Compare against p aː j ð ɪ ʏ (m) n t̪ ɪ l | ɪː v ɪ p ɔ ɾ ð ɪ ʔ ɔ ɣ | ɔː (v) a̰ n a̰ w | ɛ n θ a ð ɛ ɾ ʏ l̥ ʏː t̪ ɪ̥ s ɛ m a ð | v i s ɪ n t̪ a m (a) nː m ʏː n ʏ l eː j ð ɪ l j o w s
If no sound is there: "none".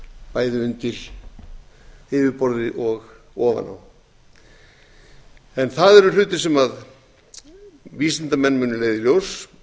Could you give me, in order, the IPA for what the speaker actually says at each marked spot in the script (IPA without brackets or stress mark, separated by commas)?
none, v, ɛ